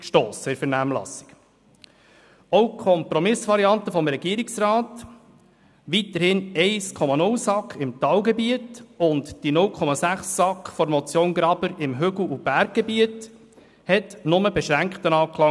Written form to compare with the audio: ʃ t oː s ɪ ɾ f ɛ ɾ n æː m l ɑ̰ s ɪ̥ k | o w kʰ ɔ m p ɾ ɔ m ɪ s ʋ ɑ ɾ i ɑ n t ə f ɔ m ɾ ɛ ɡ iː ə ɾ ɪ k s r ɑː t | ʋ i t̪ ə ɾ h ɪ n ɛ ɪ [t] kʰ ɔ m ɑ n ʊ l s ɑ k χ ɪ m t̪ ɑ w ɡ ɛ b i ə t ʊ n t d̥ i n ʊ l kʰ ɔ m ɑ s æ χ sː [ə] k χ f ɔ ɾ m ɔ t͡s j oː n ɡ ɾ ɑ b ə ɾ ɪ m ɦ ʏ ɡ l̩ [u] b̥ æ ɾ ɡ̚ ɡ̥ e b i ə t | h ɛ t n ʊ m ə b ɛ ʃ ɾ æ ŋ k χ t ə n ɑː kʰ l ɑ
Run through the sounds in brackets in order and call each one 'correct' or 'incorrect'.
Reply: incorrect: s, incorrect: ɑ, correct

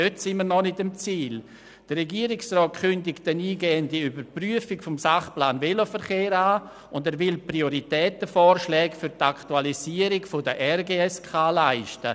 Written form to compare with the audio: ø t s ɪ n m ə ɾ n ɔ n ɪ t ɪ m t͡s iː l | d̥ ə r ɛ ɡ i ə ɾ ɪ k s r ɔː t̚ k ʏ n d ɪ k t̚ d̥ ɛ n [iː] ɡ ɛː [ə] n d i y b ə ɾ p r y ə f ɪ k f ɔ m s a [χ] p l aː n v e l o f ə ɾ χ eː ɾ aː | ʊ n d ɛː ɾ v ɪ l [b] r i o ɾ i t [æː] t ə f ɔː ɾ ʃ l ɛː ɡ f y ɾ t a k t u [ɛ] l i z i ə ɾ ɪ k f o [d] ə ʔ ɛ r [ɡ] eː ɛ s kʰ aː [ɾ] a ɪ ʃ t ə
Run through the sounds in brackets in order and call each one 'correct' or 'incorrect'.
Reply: correct, correct, correct, incorrect: p, incorrect: ɛː, incorrect: a, correct, correct, incorrect: l

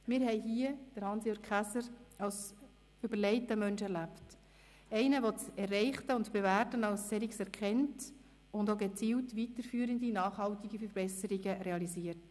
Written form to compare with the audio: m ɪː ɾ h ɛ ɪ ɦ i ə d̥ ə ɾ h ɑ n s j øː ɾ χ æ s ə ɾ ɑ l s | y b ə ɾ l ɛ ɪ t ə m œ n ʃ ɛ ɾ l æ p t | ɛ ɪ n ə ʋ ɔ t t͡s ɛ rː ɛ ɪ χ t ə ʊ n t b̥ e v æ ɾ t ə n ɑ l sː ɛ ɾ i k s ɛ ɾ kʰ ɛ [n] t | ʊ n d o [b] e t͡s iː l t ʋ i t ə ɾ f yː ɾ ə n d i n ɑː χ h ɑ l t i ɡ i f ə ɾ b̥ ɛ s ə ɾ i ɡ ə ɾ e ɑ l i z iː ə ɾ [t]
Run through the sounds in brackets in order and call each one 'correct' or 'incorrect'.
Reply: correct, incorrect: ɡ, correct

